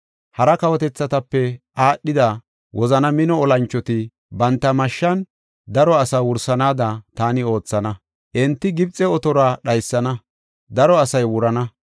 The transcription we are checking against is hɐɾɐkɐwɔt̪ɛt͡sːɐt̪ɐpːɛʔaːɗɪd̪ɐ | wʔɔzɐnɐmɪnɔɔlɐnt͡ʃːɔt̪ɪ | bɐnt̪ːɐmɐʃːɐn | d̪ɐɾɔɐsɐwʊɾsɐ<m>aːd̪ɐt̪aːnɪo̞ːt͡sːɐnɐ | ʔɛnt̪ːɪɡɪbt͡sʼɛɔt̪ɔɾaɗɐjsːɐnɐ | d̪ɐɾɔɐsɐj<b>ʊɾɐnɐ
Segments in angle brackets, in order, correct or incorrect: incorrect: n, incorrect: w

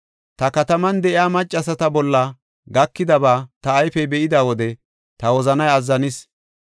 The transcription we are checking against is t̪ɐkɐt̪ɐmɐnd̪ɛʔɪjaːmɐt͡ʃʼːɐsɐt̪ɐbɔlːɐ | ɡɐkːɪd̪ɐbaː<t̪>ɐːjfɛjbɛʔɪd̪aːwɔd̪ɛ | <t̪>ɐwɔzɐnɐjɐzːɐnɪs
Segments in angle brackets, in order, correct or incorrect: correct, correct

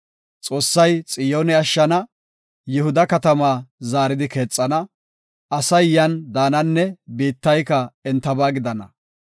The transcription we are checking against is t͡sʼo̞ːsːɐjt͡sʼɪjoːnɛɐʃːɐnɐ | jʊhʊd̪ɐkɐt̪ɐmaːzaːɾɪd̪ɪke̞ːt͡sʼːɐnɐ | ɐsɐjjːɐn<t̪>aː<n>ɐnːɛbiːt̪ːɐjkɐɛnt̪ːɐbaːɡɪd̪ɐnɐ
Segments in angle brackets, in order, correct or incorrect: incorrect: d̪, correct

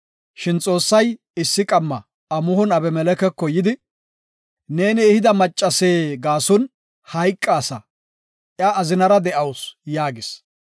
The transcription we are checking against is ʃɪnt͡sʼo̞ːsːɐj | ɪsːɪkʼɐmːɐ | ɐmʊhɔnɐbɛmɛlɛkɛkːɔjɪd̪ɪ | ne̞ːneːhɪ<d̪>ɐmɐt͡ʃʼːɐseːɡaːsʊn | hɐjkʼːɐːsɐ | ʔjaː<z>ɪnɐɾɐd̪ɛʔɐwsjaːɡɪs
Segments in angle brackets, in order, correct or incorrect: correct, correct

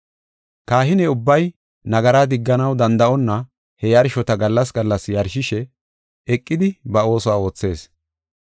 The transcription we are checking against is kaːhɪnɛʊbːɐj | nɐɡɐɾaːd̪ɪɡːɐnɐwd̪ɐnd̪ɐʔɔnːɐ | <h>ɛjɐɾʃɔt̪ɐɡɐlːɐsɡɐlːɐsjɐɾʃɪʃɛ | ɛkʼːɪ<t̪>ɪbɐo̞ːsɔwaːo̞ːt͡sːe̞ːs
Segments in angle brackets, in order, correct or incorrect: correct, incorrect: d̪

